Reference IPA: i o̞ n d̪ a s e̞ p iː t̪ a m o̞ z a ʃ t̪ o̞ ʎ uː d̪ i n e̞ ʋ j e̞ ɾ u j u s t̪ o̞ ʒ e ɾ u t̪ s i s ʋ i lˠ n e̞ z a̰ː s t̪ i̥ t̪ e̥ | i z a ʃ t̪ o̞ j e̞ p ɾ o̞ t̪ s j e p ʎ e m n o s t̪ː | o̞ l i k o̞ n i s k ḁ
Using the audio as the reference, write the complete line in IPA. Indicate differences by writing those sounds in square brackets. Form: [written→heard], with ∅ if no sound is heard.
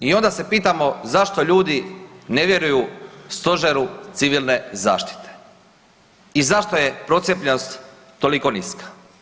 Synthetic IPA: i o̞ n d̪ a s e̞ p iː t̪ a m o̞ z a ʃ t̪ o̞ ʎ uː d̪ i n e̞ ʋ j e̞ ɾ u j u s t̪ o̞ ʒ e ɾ u t̪ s i [s→∅] ʋ i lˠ n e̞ z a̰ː [s→ʃ] t̪ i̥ t̪ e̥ | i z a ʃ t̪ o̞ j e̞ p ɾ o̞ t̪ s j e p ʎ e [m→∅] n o s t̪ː | o̞ l i k o̞ n i s k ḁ

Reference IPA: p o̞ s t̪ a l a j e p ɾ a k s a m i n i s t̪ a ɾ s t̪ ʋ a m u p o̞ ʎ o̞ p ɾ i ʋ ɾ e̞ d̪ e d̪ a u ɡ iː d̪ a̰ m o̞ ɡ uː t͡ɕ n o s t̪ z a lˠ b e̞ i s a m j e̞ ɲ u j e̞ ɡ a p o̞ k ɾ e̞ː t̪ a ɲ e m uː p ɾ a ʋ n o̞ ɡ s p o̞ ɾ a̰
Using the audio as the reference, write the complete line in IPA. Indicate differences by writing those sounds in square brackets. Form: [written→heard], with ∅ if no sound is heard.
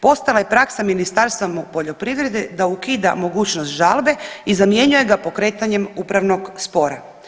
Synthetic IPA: p o̞ s t̪ a l a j e p ɾ a k s a m i n i s t̪ a ɾ s t̪ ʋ a m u p o̞ ʎ o̞ p ɾ i ʋ ɾ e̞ d̪ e d̪ a u [ɡ→k] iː d̪ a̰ m o̞ ɡ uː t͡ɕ n o s t̪ [z→ʒ] a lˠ b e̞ i [s→z] a m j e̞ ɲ u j e̞ ɡ a p o̞ k ɾ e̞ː t̪ a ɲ e m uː p ɾ a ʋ n o̞ ɡ s p o̞ ɾ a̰

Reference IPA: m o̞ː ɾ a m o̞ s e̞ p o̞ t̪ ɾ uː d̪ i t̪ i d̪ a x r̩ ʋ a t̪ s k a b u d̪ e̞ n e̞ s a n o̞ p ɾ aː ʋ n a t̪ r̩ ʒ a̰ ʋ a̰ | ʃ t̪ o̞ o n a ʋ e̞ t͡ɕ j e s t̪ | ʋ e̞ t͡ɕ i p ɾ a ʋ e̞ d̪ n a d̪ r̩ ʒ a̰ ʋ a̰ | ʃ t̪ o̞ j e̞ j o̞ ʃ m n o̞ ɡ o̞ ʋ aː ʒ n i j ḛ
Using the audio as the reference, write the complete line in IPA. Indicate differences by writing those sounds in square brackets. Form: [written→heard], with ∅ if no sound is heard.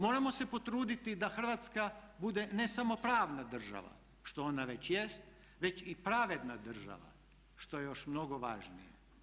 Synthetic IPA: m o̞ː ɾ a m o̞ s e̞ p o̞ t̪ ɾ uː d̪ i t̪ i d̪ a x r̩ ʋ a t̪ s k a b u d̪ e̞ n e̞ s a [n→m] o̞ p ɾ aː ʋ n a [t̪→d̪] r̩ ʒ a̰ ʋ a̰ | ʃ t̪ o̞ o n a ʋ e̞ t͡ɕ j e s t̪ | ʋ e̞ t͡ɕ i p ɾ a ʋ e̞ d̪ n a d̪ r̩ ʒ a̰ ʋ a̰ | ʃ t̪ o̞ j e̞ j o̞ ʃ m n o̞ ɡ o̞ ʋ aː ʒ n i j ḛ

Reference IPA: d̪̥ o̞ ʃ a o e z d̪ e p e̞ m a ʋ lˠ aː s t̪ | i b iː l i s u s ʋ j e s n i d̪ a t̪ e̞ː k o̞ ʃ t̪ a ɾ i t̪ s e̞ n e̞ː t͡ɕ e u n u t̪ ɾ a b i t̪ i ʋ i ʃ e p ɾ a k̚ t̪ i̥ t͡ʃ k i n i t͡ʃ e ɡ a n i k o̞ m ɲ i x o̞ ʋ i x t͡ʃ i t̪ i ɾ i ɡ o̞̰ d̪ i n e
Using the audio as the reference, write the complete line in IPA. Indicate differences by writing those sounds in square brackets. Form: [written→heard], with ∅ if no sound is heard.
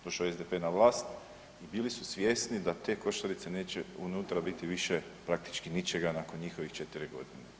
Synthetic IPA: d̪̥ o̞ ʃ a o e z d̪ e p e̞ [m→n] a ʋ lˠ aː s t̪ | i b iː l i s u s ʋ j e s n i d̪ a t̪ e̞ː k o̞ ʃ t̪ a ɾ i t̪ s e̞ n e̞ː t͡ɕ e u n u t̪ ɾ a b i t̪ i ʋ i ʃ e p ɾ a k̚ t̪ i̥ t͡ʃ k i n i t͡ʃ e ɡ a n [i→a] k o̞ [m→n] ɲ i x o̞ ʋ i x t͡ʃ [i→e] t̪ i ɾ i ɡ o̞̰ d̪ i n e

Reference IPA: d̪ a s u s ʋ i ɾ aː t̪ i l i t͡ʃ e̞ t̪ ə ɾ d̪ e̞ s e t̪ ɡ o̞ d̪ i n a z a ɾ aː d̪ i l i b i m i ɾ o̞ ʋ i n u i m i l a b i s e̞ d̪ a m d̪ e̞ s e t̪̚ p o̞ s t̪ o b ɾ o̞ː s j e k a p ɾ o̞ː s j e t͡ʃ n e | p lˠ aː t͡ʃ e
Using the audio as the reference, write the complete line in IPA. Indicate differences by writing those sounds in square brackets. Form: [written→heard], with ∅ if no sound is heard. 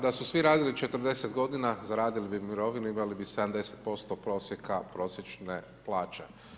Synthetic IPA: d̪ a s u s ʋ i ɾ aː [t̪→d̪] i l i t͡ʃ e̞ t̪ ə ɾ d̪ e̞ s e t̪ ɡ o̞ d̪ i n a z a ɾ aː d̪ i l i b i m i ɾ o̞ ʋ i n u i m [i→a] l [a→i] b i s e̞ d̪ a m d̪ e̞ s e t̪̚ p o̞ s t̪ o [b→p] ɾ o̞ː s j e k a p ɾ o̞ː s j e t͡ʃ n e | p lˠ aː t͡ʃ e

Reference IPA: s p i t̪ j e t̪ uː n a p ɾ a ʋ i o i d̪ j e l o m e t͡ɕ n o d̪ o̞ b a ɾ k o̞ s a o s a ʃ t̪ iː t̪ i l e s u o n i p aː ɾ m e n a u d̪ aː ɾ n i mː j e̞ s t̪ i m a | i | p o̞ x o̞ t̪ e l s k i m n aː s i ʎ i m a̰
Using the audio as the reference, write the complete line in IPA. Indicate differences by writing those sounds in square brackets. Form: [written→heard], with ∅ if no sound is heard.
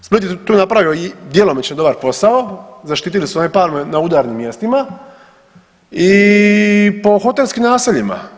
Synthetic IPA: s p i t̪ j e t̪ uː n a p ɾ a ʋ i o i d̪ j e l o m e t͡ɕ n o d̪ o̞ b a ɾ [k→p] o̞ s a o [s→z] a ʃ t̪ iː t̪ i l [e→i] s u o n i p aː ɾ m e n a u d̪ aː ɾ n i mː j e̞ s t̪ i m a | i | p o̞ x o̞ t̪ e l s k i m n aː s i ʎ i m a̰

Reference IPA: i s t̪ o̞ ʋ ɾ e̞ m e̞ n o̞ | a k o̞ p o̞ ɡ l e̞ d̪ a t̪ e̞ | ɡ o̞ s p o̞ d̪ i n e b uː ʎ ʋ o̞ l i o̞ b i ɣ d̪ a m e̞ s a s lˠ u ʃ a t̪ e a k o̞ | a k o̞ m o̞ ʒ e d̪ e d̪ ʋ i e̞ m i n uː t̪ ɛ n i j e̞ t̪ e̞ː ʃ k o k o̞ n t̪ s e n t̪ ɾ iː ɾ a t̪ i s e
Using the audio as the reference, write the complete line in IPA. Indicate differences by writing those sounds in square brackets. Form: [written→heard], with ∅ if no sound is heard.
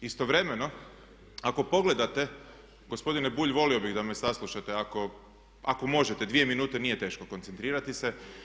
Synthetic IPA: i s t̪ o̞ ʋ ɾ e̞ m e̞ n o̞ | a k o̞ p o̞ ɡ l e̞ d̪ a t̪ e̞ | ɡ o̞ s p o̞ d̪ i n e b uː ʎ ʋ o̞ l i o̞ b i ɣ d̪ a m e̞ s a s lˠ u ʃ a t̪ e a k o̞ | a k o̞ m o̞ ʒ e [d̪→t̪] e d̪ ʋ i e̞ m i n uː t̪ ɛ n i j e̞ t̪ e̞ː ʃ k o k o̞ n t̪ s e n t̪ ɾ iː ɾ a t̪ i s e

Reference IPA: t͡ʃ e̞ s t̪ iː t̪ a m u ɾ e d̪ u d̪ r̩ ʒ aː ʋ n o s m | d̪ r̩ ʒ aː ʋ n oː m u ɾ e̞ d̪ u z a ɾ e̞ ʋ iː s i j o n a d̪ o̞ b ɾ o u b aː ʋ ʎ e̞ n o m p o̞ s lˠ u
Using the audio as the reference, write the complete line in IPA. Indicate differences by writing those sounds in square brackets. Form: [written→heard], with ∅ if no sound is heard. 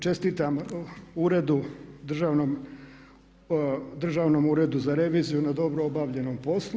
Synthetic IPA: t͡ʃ e̞ s t̪ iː t̪ a m u ɾ e d̪ u d̪ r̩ ʒ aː ʋ n o [s→∅] m | d̪ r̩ ʒ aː ʋ n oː m u ɾ e̞ d̪ u z a ɾ e̞ ʋ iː [s→z] i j [o→u] n a d̪ o̞ b ɾ o [u→o] b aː ʋ ʎ e̞ n o m p o̞ s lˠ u

